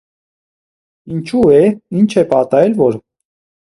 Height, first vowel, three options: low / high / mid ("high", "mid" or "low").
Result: high